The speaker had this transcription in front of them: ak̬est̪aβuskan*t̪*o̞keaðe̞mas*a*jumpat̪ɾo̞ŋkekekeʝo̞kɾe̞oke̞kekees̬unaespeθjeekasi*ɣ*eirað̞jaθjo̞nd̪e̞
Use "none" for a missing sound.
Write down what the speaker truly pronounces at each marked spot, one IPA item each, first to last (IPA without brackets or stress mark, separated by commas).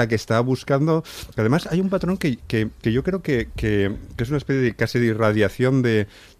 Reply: d̪, a, ð